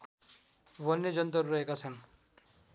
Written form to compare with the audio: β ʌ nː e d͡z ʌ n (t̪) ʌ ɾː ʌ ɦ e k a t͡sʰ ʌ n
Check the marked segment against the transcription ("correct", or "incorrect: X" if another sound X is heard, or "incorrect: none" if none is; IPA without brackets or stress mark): correct